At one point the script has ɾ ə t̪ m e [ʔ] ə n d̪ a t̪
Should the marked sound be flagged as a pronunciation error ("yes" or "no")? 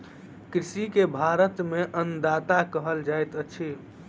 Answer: no